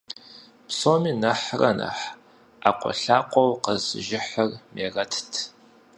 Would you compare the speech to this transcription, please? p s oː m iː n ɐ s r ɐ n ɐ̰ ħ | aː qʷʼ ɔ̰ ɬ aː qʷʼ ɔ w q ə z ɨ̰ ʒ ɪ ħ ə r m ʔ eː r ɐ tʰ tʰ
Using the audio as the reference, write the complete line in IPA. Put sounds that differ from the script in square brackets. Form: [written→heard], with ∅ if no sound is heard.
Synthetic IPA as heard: p s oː m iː n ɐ [s→ħ] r ɐ n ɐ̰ ħ | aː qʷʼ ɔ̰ ɬ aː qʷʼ ɔ w q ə z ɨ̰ ʒ ɪ ħ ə r m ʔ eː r ɐ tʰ tʰ